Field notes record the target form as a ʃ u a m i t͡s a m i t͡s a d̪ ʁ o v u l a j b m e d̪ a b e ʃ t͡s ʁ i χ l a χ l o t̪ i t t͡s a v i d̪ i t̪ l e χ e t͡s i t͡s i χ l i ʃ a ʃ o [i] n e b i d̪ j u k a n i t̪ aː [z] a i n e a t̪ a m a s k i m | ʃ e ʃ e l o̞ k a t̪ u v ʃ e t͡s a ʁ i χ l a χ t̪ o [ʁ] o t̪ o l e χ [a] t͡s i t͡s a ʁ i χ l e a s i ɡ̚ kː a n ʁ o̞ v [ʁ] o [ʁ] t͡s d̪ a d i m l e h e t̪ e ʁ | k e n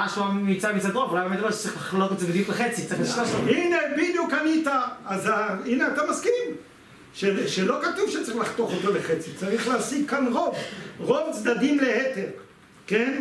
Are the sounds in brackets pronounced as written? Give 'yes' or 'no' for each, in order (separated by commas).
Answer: yes, yes, no, no, yes, no